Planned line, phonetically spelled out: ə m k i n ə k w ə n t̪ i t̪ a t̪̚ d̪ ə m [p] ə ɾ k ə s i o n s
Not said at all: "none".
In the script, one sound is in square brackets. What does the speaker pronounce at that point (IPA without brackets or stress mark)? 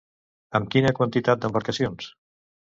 b